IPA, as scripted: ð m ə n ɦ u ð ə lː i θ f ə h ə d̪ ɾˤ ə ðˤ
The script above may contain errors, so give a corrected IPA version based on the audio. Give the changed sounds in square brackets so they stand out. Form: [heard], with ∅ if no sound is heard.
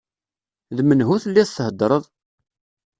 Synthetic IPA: ð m ə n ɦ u [θ] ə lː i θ [θ] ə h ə d̪ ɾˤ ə ðˤ